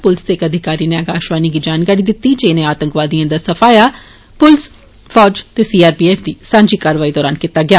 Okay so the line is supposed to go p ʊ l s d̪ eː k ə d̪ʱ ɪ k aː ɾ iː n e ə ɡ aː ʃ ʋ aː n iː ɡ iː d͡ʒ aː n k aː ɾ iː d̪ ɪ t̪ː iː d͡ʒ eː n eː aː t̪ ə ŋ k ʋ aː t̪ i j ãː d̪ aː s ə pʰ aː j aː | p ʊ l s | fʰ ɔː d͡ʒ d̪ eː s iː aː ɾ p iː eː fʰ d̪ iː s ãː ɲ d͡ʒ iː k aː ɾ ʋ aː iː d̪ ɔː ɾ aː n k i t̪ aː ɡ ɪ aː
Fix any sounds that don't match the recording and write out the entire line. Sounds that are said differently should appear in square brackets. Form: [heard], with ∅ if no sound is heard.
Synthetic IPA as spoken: p ʊ l s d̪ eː k ə d̪ʱ ɪ k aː ɾ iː n e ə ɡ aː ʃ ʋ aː n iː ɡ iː d͡ʒ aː n k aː ɾ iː d̪ ɪ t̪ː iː d͡ʒ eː n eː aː t̪ ə ŋ k ʋ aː [d̪] i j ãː d̪ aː s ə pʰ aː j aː | p ʊ l s | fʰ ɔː d͡ʒ [t̪] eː s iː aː ɾ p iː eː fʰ d̪ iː s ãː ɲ d͡ʒ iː k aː ɾ ʋ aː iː d̪ ɔː ɾ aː n k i t̪ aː ɡ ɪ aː